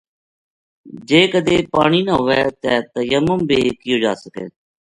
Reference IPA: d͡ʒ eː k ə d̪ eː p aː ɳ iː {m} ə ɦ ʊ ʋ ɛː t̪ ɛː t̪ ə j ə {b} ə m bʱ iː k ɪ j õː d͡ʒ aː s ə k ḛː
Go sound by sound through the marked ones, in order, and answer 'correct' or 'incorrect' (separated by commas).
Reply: incorrect, incorrect